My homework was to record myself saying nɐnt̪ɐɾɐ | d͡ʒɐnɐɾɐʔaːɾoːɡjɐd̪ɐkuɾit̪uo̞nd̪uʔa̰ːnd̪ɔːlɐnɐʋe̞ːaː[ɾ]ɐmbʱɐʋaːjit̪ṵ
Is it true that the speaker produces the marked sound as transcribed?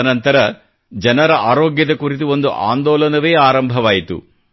yes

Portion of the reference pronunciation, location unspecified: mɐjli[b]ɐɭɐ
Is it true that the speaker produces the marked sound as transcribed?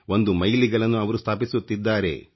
no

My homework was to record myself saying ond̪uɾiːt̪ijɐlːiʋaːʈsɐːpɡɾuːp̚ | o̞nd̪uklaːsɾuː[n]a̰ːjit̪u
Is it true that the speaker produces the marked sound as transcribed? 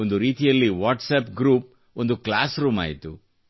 no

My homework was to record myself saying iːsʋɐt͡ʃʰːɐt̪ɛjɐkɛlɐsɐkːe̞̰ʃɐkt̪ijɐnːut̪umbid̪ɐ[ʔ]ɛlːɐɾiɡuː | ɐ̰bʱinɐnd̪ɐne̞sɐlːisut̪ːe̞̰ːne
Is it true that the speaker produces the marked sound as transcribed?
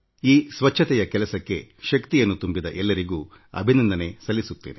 yes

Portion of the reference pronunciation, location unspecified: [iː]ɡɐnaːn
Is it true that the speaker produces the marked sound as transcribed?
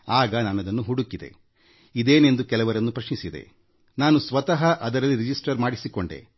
no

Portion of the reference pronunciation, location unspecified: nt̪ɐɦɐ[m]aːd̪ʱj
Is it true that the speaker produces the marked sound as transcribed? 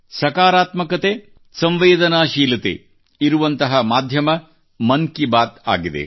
yes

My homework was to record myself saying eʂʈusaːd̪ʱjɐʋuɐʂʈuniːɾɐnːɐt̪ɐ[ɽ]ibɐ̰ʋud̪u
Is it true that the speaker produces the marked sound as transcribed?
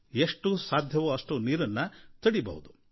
yes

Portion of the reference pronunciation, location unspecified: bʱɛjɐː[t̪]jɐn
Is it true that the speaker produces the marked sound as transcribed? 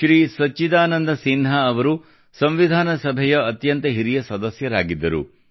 yes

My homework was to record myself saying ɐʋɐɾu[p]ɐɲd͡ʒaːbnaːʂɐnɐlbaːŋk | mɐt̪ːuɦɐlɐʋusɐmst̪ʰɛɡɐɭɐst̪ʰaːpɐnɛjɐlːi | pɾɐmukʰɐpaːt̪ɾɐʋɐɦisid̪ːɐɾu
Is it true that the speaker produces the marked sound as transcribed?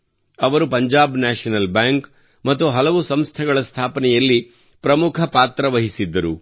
yes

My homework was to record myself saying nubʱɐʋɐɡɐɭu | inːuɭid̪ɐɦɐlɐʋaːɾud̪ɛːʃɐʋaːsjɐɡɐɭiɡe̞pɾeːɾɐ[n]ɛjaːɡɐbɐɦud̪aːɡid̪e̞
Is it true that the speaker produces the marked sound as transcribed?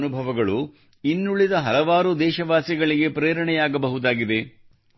no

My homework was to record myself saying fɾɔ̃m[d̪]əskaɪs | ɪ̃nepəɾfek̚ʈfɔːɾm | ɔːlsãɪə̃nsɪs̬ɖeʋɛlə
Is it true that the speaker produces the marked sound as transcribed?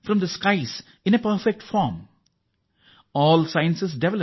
yes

